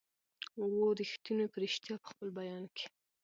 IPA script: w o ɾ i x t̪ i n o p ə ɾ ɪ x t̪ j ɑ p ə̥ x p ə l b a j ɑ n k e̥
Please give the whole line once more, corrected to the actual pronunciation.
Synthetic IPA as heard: w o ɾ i x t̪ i n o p ə ɾ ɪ ʃ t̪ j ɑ p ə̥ x p ə l b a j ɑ n k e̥